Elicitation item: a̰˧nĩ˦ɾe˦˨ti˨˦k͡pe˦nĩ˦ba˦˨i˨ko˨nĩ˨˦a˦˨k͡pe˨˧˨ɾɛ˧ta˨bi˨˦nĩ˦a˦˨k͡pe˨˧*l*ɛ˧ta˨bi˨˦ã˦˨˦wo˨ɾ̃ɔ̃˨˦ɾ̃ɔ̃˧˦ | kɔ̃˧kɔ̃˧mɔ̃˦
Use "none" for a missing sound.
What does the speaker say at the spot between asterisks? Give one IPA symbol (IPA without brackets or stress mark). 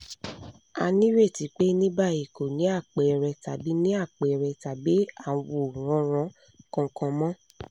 ɾ